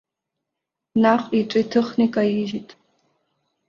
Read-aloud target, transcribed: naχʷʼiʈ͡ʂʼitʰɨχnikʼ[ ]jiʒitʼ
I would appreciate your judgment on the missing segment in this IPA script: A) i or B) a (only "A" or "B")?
B